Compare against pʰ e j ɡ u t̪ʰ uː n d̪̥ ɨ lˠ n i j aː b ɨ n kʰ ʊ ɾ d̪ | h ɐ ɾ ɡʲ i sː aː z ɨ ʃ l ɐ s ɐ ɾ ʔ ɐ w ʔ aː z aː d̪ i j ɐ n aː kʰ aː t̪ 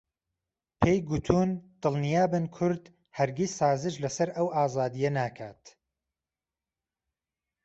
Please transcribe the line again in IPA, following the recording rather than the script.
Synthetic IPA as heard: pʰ e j ɡ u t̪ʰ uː n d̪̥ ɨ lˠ n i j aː b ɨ n kʰ ʊ ɾ d̪ | h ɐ ɾ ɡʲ i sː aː z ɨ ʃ l ɐ s ɐ ɾ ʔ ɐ w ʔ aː z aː d̪ i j ɐ n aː kʰ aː t̪